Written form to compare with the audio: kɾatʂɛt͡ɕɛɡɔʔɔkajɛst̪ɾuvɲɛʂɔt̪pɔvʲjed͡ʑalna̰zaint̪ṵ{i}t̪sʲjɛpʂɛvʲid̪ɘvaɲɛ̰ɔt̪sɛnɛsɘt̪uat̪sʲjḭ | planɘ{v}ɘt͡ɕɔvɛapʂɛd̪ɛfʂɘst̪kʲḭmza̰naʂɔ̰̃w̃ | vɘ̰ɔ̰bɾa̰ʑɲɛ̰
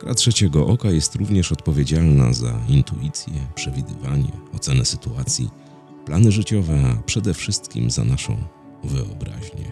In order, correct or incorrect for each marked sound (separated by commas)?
correct, incorrect